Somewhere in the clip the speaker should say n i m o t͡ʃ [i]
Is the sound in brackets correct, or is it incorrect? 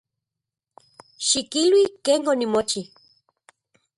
correct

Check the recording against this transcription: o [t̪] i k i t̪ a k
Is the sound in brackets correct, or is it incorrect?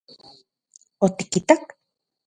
correct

